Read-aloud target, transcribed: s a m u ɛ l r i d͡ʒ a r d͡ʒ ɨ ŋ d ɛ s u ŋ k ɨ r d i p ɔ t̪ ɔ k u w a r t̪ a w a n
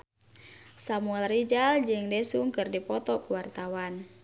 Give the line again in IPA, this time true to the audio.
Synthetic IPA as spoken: s a m u ɛ l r i d͡ʒ a l d͡ʒ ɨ ŋ d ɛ s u ŋ k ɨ r d i p ɔ t̪ ɔ k u w a r t̪ a w a n